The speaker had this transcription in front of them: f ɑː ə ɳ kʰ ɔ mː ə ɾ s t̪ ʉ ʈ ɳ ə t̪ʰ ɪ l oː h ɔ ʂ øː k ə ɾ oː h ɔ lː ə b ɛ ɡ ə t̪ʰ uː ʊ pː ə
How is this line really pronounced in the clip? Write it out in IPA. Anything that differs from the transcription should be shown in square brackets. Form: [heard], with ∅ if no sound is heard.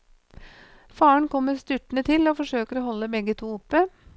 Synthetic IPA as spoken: f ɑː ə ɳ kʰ ɔ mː ə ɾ s t̪ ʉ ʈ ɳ ə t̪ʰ ɪ l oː [f] ɔ ʂ øː k ə ɾ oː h ɔ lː ə b ɛ ɡ ə t̪ʰ uː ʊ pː ə